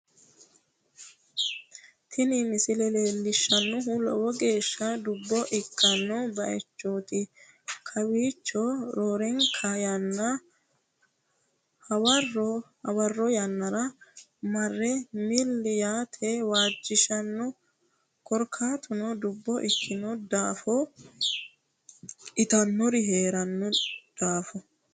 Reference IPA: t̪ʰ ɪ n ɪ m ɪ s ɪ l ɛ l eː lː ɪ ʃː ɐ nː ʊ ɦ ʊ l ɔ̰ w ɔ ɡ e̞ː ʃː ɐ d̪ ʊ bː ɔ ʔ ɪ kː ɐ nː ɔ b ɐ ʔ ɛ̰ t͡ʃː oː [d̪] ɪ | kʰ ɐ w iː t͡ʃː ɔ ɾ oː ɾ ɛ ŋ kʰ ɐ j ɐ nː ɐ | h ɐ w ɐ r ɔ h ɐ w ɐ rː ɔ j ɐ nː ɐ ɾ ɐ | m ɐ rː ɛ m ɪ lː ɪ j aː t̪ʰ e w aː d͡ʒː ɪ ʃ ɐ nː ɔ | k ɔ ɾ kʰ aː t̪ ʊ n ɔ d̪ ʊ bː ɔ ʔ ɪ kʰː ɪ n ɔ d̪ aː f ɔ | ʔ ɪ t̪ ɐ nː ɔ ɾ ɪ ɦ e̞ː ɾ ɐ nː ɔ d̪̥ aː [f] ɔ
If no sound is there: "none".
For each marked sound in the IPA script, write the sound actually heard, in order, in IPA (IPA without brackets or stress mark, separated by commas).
t̪, f